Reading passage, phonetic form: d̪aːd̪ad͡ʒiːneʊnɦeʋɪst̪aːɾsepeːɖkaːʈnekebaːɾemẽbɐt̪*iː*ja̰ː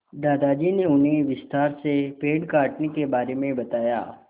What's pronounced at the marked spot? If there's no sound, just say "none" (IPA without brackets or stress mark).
aː